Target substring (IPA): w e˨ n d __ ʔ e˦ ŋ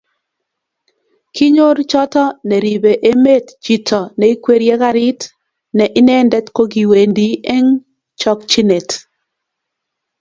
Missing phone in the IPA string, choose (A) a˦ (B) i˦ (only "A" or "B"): B